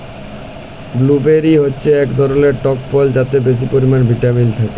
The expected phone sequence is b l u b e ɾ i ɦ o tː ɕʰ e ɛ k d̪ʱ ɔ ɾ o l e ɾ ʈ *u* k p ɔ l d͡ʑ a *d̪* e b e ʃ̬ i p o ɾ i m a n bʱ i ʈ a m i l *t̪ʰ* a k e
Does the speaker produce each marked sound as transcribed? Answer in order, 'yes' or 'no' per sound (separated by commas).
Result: no, no, yes